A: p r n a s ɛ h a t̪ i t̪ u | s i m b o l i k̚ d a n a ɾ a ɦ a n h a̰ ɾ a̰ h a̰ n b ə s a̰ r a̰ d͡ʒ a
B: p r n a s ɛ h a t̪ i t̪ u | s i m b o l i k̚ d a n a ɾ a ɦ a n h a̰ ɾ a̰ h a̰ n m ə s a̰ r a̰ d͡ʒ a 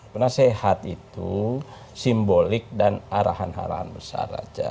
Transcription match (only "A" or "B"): A